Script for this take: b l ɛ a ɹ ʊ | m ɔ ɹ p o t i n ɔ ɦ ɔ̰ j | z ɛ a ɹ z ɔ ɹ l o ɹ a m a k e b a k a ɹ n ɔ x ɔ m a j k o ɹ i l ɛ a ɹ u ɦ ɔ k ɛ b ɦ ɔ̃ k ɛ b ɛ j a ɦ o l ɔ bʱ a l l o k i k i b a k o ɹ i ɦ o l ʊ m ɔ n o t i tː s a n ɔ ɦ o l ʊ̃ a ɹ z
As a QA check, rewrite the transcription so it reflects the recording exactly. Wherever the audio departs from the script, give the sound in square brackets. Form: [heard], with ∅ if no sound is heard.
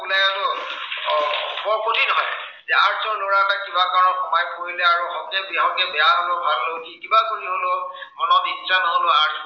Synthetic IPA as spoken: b l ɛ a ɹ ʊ | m ɔ ɹ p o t i n ɔ ɦ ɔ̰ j | z ɛ a ɹ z ɔ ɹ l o ɹ a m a k [i] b a k a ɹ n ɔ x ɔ m a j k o ɹ i l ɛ a ɹ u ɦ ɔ k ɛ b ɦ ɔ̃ k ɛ b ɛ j a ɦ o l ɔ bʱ a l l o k i k i b a k o ɹ i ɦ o l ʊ m ɔ n [ɔ] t i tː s a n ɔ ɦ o l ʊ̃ a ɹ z